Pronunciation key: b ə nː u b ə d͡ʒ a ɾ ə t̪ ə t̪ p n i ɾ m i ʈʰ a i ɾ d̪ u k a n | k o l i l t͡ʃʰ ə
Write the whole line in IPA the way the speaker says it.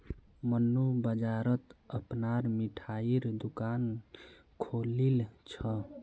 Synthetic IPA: m ə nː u b ə d͡ʒ a ɾ ə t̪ ə p n a ɾ m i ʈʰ a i ɾ d̪ u k a n | kʰ o l i l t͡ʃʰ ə